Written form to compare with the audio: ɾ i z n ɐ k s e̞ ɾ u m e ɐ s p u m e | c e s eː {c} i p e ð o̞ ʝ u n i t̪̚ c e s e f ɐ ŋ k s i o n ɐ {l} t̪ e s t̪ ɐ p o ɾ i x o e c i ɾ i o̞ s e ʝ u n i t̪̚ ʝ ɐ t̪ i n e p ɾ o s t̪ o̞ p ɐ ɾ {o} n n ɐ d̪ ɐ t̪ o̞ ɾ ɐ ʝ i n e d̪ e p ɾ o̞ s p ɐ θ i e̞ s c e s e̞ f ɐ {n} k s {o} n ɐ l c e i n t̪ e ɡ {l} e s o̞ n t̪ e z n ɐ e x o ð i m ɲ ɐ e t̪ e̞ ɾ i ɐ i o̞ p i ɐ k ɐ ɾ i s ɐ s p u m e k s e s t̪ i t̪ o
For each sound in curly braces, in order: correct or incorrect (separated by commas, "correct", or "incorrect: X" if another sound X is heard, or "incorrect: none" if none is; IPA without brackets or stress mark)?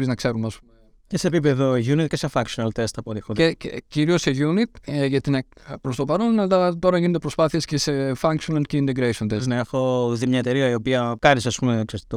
incorrect: p, correct, correct, incorrect: ŋ, correct, incorrect: ɾ